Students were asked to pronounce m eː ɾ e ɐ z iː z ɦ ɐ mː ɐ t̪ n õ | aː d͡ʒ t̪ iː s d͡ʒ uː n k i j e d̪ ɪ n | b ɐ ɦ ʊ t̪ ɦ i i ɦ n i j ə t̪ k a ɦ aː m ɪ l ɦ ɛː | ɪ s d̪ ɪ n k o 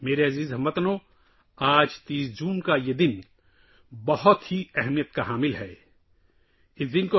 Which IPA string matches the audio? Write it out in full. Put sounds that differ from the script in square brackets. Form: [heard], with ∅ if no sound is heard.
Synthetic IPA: m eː ɾ e ɐ z iː z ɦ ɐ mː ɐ t̪ n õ | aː d͡ʒ t̪ iː s d͡ʒ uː n k [a] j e d̪ ɪ n | b ɐ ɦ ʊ t̪ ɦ i [ɛ] ɦ [m] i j ə t̪ k a ɦ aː m ɪ l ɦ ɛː | ɪ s d̪ ɪ n k o